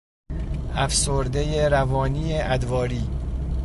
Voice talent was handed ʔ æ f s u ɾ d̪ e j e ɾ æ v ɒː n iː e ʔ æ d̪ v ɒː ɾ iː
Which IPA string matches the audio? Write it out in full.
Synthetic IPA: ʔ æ f s o ɾ d̪ e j e ɾ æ v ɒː n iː e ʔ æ d̪ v ɒː ɾ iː